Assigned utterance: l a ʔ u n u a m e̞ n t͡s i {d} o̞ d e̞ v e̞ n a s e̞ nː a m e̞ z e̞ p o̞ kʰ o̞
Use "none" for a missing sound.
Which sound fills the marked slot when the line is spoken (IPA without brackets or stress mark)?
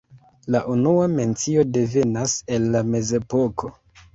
none